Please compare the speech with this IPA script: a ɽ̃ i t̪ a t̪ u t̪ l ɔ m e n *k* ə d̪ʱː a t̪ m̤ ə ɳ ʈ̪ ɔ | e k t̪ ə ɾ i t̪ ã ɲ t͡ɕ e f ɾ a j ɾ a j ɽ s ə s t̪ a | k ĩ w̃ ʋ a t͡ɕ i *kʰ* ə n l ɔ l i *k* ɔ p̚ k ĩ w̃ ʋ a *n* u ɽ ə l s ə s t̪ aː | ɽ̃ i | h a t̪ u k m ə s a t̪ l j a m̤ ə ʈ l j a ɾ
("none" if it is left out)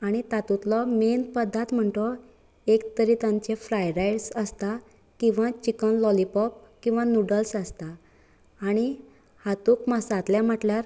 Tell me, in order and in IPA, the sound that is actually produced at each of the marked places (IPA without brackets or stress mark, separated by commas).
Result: p, k, p, n